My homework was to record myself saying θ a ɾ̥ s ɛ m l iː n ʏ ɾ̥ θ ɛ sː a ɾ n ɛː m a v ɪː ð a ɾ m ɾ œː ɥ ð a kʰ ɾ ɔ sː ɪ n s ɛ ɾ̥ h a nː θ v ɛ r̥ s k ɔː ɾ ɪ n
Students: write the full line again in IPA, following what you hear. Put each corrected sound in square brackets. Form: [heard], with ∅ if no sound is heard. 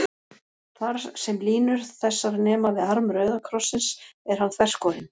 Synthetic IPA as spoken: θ a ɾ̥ s ɛ m l iː n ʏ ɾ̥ θ ɛ sː a ɾ n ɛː m a v [ɪ] ð a ɾ m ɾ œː ɥ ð a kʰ ɾ ɔ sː ɪ n s ɛ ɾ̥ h a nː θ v ɛ r̥ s k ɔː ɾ ɪ n